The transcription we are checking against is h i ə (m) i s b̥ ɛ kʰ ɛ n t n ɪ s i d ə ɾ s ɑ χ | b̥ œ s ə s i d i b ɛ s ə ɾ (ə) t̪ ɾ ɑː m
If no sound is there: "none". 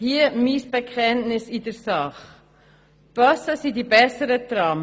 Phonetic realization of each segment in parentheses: m, ə

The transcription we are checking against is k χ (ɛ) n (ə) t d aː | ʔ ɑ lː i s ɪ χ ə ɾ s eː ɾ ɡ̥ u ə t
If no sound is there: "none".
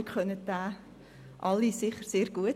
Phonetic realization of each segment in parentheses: œ, ə

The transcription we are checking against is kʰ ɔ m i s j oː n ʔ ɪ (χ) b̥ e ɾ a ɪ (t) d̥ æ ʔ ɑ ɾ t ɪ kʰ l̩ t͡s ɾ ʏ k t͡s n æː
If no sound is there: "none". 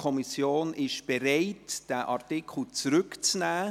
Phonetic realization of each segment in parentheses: ʃ, t

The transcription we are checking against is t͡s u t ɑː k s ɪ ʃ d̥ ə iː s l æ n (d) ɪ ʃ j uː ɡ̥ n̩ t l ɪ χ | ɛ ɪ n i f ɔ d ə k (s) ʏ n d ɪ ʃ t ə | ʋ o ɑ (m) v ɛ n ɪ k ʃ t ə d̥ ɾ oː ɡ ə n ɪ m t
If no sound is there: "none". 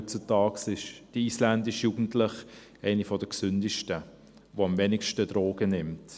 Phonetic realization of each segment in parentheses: d, s, m

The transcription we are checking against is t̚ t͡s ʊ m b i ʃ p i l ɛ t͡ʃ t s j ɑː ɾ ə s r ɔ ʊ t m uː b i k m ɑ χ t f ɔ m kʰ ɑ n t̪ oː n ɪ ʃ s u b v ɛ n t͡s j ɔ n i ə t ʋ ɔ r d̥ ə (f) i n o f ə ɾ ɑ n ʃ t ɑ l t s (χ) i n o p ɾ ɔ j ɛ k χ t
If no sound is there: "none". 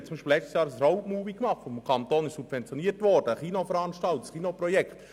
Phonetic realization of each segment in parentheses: χ, χ

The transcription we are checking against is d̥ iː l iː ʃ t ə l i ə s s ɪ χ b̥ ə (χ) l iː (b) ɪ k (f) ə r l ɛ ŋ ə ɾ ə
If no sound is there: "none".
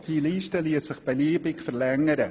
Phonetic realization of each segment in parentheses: none, b, f

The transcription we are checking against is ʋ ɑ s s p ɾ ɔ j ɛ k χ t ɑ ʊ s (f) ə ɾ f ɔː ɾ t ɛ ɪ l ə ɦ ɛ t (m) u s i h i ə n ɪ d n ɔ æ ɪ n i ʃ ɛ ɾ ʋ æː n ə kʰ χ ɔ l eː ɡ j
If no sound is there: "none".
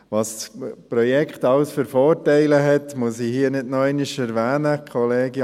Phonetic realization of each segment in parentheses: f, m

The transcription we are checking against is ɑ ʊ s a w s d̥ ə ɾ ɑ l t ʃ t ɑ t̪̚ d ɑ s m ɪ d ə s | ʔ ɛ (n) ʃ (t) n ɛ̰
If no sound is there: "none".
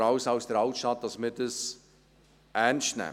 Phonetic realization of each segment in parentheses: n, t

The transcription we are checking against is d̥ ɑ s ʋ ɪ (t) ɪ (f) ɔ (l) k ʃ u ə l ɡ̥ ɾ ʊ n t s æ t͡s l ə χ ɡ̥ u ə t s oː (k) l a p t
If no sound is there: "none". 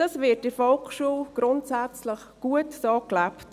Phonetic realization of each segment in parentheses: t, f, l, k

